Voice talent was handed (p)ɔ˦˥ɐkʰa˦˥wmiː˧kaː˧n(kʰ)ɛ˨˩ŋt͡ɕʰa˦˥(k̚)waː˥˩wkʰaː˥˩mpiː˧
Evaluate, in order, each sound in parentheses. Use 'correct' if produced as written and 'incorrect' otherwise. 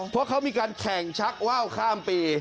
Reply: incorrect, correct, correct

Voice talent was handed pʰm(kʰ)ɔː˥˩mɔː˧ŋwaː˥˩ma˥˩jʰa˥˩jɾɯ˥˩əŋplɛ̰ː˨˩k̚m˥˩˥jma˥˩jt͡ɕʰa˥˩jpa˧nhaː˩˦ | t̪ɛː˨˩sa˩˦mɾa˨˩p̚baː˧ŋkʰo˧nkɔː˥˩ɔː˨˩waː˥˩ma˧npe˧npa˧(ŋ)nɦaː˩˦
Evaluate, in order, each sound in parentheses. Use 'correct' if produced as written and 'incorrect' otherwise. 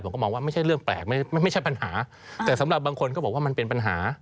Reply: incorrect, incorrect

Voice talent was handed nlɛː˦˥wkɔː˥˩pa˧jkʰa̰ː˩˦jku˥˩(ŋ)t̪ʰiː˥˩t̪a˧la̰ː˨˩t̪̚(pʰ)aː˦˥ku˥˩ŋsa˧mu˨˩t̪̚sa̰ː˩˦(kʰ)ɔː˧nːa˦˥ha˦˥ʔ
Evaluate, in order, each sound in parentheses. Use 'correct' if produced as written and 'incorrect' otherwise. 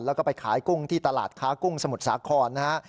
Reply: correct, incorrect, correct

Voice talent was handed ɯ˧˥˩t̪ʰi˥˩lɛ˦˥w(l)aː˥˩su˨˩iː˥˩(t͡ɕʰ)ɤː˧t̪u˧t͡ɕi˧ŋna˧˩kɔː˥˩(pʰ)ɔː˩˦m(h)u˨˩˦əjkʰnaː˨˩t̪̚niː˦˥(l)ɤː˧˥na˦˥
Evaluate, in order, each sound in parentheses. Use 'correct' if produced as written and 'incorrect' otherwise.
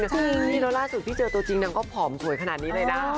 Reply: correct, incorrect, correct, incorrect, correct

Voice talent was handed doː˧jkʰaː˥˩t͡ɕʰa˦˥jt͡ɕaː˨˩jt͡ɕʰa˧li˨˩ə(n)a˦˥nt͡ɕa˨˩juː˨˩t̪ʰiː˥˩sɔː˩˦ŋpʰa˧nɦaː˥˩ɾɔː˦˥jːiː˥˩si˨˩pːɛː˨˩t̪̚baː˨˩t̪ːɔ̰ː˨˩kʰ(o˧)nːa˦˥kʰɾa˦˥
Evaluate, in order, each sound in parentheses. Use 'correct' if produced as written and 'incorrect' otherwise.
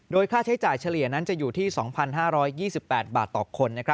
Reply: correct, correct

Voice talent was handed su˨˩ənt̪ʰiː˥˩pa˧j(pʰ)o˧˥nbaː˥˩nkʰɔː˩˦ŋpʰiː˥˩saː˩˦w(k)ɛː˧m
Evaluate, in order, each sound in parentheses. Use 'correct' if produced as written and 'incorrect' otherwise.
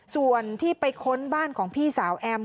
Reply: incorrect, incorrect

